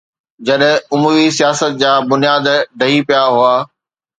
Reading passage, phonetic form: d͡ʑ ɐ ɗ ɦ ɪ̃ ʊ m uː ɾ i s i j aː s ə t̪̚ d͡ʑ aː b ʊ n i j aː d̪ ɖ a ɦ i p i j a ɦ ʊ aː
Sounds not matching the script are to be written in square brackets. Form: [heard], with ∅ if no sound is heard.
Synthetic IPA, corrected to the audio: d͡ʑ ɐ ɗ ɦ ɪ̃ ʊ m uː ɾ i s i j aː s ə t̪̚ d͡ʑ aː b ʊ n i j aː d̪ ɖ [ɐ] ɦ i p i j a ɦ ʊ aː